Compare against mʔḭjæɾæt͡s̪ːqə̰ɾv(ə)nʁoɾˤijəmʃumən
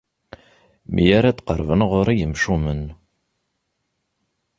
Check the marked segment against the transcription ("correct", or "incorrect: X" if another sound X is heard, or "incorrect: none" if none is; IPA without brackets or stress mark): correct